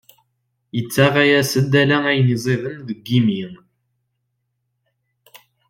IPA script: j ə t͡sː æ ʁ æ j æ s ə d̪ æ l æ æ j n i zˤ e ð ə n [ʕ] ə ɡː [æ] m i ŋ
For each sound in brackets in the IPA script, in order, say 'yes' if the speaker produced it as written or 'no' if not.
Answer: no, no

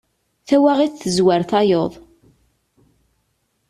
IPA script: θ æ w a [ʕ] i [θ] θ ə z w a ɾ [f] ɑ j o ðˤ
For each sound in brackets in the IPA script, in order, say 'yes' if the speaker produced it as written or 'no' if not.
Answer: no, yes, no

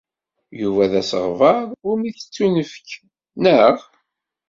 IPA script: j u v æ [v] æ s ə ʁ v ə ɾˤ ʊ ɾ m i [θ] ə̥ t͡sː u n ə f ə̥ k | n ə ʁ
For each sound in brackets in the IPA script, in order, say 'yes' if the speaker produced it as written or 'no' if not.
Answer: no, yes

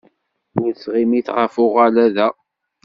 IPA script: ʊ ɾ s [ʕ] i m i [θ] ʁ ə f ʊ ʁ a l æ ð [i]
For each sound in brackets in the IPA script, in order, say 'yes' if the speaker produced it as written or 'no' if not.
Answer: no, yes, no

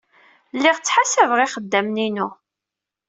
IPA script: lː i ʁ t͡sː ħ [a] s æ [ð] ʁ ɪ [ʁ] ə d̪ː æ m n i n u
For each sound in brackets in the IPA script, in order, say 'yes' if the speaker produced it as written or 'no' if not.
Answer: yes, no, no

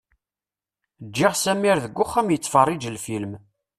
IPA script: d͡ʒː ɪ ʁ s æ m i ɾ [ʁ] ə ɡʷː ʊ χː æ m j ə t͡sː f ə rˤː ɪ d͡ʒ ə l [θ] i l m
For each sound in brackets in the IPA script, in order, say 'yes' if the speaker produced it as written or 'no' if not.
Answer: no, no

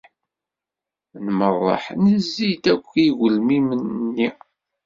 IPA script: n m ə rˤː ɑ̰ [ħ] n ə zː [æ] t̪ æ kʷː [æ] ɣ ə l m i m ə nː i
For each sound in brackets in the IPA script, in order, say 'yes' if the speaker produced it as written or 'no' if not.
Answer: yes, no, no

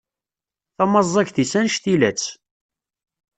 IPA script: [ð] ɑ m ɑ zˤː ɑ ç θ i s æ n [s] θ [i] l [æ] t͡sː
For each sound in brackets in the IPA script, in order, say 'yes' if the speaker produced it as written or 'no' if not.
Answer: no, no, yes, yes

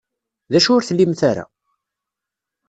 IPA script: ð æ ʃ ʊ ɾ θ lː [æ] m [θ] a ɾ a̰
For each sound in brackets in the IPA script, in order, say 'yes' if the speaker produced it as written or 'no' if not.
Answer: no, yes

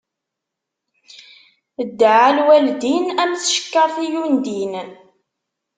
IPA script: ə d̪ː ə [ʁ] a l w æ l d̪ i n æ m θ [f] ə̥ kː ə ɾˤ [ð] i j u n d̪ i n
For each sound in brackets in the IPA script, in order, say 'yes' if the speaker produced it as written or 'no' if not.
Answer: no, no, no

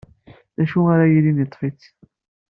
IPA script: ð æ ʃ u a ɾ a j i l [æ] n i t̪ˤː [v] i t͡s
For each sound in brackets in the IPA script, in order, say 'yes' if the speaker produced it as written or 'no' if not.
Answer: no, no

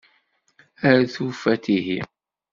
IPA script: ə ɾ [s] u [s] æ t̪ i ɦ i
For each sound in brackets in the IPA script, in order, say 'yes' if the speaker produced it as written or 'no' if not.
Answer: no, no

